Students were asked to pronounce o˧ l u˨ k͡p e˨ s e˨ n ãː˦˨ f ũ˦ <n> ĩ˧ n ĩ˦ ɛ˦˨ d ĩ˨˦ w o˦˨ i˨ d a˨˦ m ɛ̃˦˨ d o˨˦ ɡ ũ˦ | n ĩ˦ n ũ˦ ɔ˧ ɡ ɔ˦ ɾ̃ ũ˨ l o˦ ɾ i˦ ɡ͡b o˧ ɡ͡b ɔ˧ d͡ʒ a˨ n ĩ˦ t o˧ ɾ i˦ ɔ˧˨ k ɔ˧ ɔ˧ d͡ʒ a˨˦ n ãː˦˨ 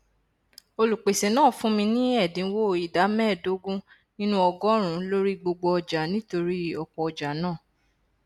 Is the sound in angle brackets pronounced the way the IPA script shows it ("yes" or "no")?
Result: no